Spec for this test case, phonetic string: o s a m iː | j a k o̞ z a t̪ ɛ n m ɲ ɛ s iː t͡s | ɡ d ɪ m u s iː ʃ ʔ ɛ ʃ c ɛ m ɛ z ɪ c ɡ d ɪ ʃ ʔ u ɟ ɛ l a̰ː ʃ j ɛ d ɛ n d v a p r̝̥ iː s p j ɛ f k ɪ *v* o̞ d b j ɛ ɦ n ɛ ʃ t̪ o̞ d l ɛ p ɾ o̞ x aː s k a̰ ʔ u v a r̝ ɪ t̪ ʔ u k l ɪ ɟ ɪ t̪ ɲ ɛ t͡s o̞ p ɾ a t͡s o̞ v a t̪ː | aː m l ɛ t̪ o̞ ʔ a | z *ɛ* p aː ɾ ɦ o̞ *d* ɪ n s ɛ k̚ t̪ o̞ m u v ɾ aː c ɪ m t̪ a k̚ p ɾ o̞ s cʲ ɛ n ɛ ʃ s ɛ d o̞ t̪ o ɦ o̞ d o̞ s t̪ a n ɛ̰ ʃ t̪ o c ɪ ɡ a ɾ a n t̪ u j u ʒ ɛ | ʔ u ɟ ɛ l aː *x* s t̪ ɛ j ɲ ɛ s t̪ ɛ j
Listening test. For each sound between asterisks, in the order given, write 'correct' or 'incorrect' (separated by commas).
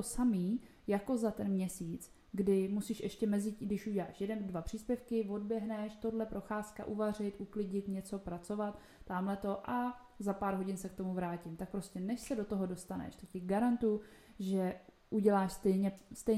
correct, incorrect, incorrect, incorrect